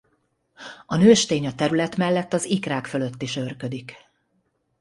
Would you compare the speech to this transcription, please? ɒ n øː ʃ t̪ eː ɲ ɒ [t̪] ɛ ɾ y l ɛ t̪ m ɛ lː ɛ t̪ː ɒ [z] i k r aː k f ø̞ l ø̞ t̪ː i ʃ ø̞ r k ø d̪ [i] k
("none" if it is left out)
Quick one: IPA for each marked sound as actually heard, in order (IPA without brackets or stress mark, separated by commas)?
t̪, z, i